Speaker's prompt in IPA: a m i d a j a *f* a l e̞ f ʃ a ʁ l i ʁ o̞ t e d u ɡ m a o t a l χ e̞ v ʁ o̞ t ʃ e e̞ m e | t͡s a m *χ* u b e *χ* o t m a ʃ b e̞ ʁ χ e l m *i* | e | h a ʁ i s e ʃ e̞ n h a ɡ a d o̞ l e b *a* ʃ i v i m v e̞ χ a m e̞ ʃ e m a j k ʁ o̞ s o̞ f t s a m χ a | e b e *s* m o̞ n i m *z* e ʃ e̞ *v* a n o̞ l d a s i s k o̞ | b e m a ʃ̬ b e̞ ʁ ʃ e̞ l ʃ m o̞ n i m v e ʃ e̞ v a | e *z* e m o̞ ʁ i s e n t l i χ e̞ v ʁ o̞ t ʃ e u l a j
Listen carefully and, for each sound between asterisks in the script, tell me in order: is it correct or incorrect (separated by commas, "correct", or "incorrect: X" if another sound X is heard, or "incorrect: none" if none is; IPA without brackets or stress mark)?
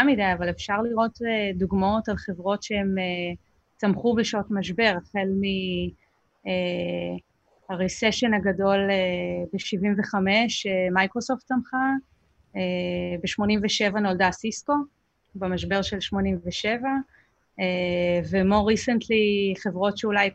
incorrect: v, correct, incorrect: ʃ, correct, incorrect: e, incorrect: ʃ, incorrect: v, correct, incorrect: v